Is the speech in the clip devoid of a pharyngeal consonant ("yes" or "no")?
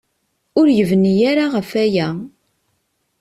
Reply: yes